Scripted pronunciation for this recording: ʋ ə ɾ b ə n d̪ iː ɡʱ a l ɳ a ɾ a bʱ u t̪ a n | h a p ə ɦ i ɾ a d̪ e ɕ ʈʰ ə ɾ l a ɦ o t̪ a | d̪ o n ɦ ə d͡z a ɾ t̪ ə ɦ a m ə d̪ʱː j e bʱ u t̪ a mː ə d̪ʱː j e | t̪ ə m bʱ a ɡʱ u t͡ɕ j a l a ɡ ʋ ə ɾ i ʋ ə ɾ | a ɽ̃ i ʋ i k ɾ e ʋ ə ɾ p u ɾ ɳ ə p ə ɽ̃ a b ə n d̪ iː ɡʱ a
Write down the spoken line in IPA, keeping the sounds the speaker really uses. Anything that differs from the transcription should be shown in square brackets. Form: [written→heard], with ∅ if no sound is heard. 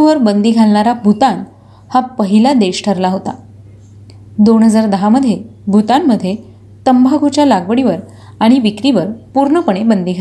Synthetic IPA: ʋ ə ɾ b ə n d̪ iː ɡʱ a l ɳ a ɾ a bʱ u t̪ a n | h a p ə ɦ i [ɾ→l] a d̪ e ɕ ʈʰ ə ɾ l a ɦ o t̪ a | d̪ o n ɦ ə d͡z a ɾ [t̪→d̪] ə ɦ a m ə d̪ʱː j e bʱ u t̪ a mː ə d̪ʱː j e | t̪ ə m bʱ a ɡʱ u t͡ɕ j a l a ɡ ʋ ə [ɾ→ɽ] i ʋ ə ɾ | a ɽ̃ i ʋ i k ɾ [e→i] ʋ ə ɾ p u ɾ ɳ ə p ə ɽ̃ [a→e] b ə n d̪ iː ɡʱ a